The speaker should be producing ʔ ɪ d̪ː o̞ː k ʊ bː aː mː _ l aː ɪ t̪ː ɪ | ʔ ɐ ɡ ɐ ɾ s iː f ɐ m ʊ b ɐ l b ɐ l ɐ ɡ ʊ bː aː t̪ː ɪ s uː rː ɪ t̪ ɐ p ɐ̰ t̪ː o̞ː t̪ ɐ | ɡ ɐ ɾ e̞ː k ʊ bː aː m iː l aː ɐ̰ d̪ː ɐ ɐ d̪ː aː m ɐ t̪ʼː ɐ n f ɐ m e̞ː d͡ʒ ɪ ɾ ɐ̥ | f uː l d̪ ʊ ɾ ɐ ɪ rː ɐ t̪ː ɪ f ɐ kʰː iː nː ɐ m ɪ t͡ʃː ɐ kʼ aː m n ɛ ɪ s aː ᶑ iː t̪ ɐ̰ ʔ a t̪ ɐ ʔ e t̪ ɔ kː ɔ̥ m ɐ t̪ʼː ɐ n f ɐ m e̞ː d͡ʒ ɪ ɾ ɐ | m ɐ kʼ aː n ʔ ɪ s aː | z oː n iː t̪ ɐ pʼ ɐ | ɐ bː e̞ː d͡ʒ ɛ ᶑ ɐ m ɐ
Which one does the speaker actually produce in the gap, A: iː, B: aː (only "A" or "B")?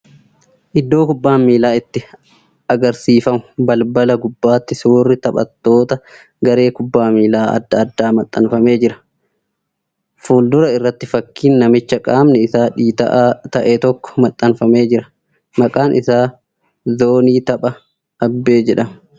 A